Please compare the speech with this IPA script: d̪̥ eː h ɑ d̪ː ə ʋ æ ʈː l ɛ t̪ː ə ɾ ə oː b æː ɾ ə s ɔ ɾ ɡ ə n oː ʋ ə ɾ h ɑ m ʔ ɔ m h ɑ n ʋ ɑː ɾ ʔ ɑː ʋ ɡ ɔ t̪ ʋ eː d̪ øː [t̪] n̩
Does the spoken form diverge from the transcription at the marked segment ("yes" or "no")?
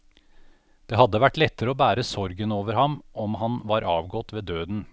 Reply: yes